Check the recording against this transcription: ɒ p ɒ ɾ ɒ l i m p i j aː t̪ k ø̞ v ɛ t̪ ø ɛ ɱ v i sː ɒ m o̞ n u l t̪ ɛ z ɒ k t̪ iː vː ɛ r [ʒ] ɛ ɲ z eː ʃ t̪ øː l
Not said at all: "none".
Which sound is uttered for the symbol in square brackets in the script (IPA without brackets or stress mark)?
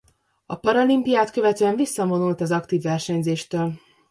ʃ